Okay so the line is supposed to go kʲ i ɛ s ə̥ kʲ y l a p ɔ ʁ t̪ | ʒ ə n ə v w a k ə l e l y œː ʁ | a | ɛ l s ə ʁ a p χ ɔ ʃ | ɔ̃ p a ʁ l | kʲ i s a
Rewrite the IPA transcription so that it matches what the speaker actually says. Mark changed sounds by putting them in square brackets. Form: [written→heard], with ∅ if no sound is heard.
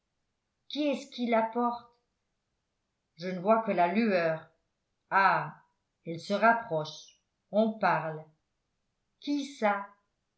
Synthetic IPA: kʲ i ɛ s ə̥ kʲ [y→i] l a p ɔ ʁ t̪ | ʒ ə n ə v w a k ə l [e→a] l y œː ʁ | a | ɛ l s ə ʁ a p χ ɔ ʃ | ɔ̃ p a ʁ l | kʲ i s a